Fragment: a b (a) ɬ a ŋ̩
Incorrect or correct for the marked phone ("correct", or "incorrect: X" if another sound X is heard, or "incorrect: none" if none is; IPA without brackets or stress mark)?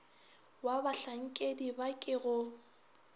correct